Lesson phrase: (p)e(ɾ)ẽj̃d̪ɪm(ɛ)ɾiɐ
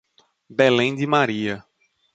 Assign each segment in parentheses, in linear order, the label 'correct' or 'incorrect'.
incorrect: b, incorrect: l, incorrect: a

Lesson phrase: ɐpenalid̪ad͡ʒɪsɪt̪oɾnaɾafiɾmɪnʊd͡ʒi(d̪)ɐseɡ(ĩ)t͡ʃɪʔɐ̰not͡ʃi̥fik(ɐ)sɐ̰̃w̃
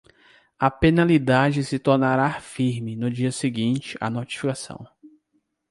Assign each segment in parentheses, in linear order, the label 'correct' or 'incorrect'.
incorrect: none, correct, incorrect: a

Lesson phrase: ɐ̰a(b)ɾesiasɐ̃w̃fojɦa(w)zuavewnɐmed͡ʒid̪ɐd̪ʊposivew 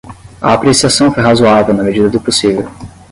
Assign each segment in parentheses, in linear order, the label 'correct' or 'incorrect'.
incorrect: p, incorrect: none

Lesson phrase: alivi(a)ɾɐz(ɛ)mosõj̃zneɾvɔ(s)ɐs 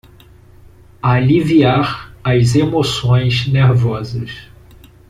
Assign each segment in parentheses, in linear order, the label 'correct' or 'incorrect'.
correct, incorrect: e, incorrect: z

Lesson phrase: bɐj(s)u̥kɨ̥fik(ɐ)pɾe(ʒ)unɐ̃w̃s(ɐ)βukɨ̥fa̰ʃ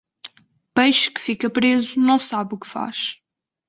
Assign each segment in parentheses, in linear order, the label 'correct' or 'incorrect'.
incorrect: ʃ, correct, incorrect: z, incorrect: a

